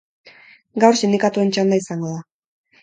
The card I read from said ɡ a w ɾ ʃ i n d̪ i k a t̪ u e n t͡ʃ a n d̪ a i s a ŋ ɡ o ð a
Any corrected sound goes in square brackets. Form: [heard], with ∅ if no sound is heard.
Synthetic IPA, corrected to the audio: ɡ a w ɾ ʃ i n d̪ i k a t̪ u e n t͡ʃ a n d̪ a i s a ŋ ɡ o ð a

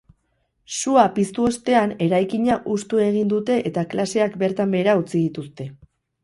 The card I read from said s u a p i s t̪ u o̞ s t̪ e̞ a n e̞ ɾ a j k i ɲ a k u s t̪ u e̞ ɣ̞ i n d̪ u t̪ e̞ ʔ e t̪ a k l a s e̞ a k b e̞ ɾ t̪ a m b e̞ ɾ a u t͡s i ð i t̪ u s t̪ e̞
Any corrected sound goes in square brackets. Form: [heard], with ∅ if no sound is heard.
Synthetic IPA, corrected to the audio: s u a p i s t̪ u o̞ s t̪ e̞ a n e̞ ɾ a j k i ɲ a [ʔ] u s t̪ u e̞ ɣ̞ i n d̪ u t̪ e̞ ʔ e t̪ a k l a s e̞ a k b e̞ ɾ t̪ a m b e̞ ɾ a u t͡s i ð i t̪ u s t̪ e̞

